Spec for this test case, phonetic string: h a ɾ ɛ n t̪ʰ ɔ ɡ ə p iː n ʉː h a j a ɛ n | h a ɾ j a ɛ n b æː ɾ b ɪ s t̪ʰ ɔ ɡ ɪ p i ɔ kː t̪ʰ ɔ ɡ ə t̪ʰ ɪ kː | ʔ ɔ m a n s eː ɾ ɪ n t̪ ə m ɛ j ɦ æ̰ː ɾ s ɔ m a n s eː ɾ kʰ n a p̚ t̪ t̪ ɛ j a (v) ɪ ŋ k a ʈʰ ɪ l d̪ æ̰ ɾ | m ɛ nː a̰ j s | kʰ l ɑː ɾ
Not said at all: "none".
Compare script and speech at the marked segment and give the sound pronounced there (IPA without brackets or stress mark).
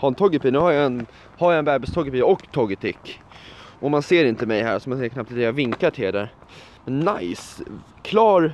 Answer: v